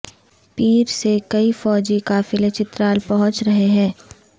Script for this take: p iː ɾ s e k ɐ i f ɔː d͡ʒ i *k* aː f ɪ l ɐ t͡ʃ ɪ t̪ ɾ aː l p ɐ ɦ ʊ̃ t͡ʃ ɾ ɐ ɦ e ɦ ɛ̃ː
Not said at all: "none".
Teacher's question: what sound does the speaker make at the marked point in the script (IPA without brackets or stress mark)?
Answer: k